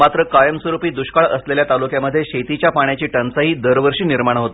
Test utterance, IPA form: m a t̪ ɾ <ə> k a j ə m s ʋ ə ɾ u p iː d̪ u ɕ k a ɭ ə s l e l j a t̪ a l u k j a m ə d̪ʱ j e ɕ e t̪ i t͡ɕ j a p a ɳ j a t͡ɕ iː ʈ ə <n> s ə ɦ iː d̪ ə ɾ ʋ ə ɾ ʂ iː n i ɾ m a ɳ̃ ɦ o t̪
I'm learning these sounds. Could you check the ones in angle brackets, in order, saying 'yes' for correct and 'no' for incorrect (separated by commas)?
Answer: yes, yes